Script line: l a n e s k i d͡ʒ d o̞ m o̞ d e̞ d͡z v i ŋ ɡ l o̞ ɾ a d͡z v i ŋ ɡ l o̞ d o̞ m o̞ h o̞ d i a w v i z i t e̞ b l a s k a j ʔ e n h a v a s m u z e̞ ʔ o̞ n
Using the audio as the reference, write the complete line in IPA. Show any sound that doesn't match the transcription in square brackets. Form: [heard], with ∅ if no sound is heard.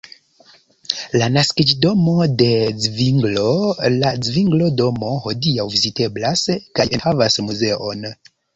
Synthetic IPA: l a n [a] s k i d͡ʒ d o̞ m o̞ d e̞ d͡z v i ŋ ɡ l o̞ [l] a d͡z v i ŋ ɡ l o̞ d o̞ m o̞ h o̞ d i a w v i z i t e̞ b l a s k a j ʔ e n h a v a s m u z e̞ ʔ o̞ n